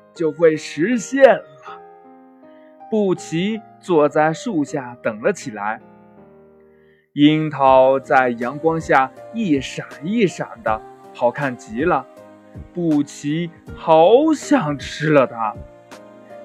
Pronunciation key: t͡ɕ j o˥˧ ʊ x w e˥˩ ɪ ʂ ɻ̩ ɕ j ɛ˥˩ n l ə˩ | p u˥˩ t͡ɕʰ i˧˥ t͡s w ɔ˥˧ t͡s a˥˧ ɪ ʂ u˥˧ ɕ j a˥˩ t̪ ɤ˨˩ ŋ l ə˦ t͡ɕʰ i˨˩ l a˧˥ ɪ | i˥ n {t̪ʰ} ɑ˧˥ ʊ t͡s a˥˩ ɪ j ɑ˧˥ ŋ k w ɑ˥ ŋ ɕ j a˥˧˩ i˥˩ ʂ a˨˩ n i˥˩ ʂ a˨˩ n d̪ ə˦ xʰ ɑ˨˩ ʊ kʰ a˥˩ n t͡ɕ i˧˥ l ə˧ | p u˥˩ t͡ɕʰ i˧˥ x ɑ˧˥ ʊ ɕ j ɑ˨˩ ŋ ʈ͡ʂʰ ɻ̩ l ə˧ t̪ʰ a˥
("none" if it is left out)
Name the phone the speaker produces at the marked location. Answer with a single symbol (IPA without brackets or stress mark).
t̪ʰ